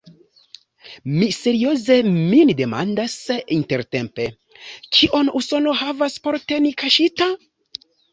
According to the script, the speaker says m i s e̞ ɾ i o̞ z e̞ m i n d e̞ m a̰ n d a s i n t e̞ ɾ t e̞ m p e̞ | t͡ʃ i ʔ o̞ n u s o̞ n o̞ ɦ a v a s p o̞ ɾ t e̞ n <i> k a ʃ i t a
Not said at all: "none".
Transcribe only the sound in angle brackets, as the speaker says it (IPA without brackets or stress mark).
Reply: i